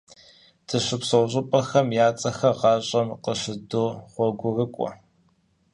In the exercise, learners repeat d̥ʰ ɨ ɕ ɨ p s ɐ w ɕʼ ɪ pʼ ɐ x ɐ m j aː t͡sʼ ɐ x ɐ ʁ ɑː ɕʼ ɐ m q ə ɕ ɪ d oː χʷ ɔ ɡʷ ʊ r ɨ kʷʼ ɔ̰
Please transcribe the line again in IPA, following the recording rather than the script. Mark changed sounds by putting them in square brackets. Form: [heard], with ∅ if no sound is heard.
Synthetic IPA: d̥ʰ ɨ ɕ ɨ p s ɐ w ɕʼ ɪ pʼ ɐ x ɐ m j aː t͡sʼ ɐ x ɐ ʁ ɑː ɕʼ ɐ m q ə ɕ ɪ d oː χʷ ɔ ɡʷ ʊ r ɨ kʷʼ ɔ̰